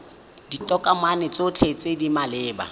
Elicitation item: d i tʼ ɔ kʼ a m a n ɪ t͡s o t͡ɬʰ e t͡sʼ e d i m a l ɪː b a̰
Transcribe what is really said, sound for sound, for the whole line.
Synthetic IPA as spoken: d i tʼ ɔ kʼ a m a n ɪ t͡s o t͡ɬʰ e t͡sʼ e d i m a l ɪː b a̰